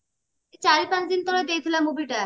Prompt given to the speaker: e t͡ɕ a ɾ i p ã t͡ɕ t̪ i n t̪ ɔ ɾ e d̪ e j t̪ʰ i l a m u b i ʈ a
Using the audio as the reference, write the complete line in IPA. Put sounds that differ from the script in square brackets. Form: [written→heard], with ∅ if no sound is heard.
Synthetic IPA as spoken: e t͡ɕ a ɾ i p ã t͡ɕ [t̪→d̪] i n t̪ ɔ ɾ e d̪ e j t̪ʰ i l a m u b i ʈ a